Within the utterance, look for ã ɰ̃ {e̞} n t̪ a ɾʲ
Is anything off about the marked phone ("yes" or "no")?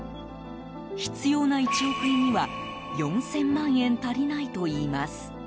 yes